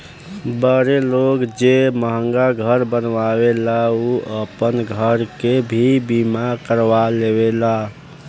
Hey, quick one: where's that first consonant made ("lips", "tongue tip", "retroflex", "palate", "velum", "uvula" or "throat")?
lips